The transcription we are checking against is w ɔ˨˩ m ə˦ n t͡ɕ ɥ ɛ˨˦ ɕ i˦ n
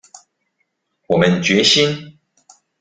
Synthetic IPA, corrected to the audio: w ɔ˨˩ m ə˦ n t͡ɕ ɥ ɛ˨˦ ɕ i˦ n